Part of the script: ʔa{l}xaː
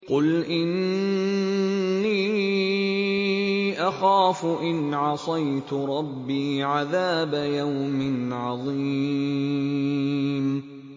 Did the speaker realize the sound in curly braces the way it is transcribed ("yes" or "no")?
no